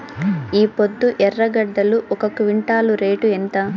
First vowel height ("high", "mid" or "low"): high